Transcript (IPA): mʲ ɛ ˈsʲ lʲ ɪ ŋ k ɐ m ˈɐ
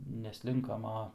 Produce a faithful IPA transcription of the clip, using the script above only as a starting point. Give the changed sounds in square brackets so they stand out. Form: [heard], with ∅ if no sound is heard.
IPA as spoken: [nʲ] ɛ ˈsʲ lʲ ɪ ŋ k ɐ m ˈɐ